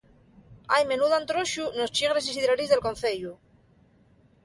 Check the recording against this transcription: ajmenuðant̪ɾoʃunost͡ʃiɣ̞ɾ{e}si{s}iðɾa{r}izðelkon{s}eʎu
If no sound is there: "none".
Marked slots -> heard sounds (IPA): e, s, ɾ, θ

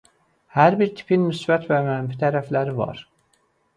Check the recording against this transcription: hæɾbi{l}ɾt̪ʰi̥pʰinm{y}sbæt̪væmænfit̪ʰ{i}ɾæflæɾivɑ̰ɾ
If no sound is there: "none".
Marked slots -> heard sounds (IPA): none, y, æ

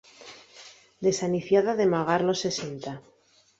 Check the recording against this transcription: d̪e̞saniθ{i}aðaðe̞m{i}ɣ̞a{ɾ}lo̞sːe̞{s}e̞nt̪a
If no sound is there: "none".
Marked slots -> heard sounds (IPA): j, a, ɾ, s

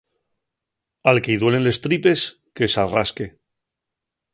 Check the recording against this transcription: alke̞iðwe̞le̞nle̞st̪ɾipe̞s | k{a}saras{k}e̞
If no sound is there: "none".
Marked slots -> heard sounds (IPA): e, k

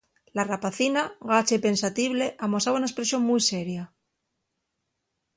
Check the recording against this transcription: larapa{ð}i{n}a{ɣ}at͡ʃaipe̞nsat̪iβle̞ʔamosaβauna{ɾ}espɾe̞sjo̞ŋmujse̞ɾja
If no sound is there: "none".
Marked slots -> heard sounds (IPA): θ, n, ɣ, none

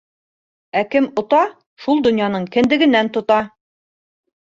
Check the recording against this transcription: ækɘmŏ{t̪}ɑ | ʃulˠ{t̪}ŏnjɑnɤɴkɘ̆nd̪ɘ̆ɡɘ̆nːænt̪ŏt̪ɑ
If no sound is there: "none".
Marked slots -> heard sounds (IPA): t̪, d̪

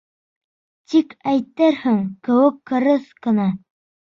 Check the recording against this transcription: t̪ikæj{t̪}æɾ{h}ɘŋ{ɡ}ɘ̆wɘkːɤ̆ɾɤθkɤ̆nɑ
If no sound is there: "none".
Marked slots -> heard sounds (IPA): t̪, h, k

